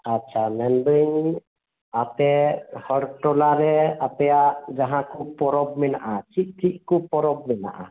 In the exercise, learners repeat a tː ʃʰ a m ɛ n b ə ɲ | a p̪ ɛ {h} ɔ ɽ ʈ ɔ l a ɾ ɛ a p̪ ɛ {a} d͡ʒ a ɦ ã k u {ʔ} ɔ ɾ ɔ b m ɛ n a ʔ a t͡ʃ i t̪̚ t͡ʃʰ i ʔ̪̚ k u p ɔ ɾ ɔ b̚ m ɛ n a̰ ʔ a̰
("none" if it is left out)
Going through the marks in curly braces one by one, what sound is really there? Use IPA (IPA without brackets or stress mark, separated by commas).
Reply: h, a, p